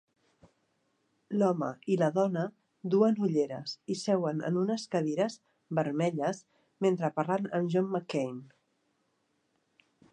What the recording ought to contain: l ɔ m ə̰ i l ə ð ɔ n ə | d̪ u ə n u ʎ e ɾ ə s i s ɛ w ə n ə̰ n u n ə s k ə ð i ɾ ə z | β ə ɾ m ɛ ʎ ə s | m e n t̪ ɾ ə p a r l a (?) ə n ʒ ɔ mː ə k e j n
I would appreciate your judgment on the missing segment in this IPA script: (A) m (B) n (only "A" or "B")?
B